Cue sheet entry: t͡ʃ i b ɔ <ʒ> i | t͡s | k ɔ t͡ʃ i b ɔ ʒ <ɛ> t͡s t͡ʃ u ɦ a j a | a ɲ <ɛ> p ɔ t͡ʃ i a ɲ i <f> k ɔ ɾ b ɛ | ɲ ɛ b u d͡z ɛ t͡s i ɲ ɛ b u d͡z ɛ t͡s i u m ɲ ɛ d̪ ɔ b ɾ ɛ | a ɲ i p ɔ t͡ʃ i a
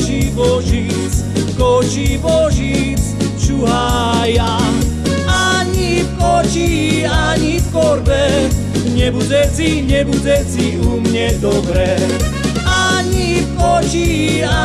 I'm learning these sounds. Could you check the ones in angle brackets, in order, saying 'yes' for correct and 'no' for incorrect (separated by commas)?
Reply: yes, no, no, yes